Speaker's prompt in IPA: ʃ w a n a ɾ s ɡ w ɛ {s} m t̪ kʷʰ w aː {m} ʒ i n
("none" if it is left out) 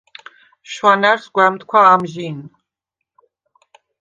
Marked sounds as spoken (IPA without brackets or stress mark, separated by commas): none, m